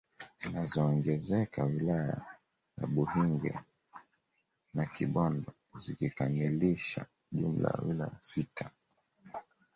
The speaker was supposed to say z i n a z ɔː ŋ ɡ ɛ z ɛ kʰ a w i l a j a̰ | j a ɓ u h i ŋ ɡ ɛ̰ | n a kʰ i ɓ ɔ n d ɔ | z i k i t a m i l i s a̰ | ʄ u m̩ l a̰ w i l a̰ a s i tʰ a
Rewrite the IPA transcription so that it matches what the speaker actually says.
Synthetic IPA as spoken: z i n a z ɔː ŋ ɡ ɛ z ɛ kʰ a w i l a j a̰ | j a ɓ u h i ŋ ɡ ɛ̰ | n a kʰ i ɓ ɔ n d ɔ | z i k i k a m i l i ʃ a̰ | ʄ u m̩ l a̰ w i l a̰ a s i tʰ a

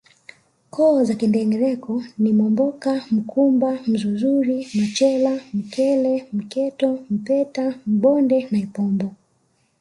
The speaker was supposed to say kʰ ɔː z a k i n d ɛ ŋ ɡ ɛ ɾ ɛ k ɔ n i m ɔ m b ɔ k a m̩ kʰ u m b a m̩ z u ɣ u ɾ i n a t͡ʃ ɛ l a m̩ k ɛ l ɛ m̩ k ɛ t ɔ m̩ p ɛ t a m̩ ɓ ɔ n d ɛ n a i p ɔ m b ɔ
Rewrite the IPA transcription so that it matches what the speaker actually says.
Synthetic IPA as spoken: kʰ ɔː z a k i n d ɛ ŋ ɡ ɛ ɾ ɛ k ɔ n i m ɔ m b ɔ k a m̩ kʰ u m b a m̩ z u z u ɾ i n a t͡ʃ ɛ l a m̩ k ɛ l ɛ m̩ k ɛ t ɔ m̩ p ɛ t a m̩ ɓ ɔ n d ɛ n a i p ɔ m b ɔ

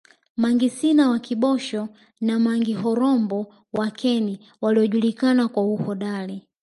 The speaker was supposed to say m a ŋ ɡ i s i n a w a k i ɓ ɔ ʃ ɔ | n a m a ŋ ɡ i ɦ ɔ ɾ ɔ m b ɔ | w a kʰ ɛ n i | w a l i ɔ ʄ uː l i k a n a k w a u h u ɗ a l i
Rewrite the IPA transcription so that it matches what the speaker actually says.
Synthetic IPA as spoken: m a ŋ ɡ i s i n a w a k i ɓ ɔ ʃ ɔ | n a m a ŋ ɡ i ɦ ɔ ɾ ɔ m b ɔ | w a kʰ ɛ n i | w a l i ɔ ʄ u l i k a n a k w a u h ɔ ɗ a l i

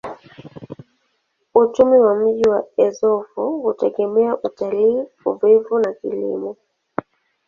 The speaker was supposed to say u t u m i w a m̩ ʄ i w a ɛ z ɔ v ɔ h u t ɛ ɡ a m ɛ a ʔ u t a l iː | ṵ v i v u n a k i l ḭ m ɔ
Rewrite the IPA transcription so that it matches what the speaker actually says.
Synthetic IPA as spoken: u t͡ʃ u m i w a m̩ ʄ i w a ɛ z ɔ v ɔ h u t ɛ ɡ ɛ m ɛ a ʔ u t a l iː | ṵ v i v u n a k i l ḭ m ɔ

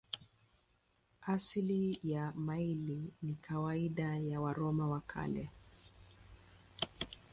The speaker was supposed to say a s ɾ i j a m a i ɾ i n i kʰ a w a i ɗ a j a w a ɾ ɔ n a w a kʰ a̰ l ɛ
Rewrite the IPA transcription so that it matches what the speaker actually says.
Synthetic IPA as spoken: a s l i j a m a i l i n i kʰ a w a i ɗ a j a w a ɾ ɔ m a w a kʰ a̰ l ɛ

